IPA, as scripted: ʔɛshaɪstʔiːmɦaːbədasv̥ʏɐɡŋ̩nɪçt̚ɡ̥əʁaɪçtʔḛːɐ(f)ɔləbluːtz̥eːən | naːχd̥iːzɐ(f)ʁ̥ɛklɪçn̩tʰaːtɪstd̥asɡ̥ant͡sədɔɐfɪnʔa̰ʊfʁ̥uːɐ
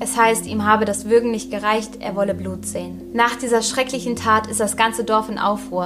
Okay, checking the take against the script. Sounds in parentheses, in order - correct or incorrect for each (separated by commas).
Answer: incorrect, incorrect